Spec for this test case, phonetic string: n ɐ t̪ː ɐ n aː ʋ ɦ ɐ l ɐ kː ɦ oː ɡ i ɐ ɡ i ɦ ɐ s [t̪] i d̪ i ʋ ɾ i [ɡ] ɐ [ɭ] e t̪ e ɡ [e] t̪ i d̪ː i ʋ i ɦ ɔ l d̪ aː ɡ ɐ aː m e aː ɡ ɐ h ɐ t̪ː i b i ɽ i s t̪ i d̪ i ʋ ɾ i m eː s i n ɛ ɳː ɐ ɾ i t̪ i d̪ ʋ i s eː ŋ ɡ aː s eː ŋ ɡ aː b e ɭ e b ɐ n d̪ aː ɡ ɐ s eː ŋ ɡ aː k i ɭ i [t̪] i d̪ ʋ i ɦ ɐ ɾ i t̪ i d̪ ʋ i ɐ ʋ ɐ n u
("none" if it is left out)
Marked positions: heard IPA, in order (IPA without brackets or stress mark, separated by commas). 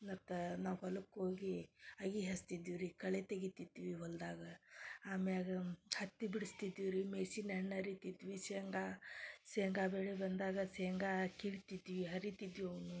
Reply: t̪, k, ɭ, i, t̪